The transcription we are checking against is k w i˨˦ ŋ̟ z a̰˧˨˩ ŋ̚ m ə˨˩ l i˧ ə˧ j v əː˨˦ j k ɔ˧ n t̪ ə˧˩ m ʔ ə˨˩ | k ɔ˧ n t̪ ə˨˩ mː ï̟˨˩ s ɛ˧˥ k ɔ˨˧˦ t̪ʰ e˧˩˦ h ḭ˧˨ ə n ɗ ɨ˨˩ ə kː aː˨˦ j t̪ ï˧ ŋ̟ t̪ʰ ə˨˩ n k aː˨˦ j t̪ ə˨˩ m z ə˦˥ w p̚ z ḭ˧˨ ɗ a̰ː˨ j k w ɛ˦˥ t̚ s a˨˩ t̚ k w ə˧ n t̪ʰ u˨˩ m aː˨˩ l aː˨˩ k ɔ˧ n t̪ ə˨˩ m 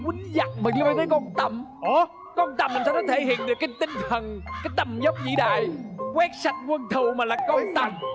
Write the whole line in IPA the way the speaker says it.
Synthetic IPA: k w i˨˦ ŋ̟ z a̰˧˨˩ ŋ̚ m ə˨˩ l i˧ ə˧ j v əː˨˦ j k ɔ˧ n t̪ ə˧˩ m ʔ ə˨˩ | k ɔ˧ n t̪ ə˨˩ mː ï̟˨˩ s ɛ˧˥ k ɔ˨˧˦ t̪ʰ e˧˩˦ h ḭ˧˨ ə n ɗ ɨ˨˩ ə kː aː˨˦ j t̪ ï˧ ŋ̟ t̪ʰ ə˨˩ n k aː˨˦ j t̪ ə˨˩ m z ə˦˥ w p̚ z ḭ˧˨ ɗ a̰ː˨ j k w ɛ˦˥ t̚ s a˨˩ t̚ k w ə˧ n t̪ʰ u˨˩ m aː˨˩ l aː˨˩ k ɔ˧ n t̪ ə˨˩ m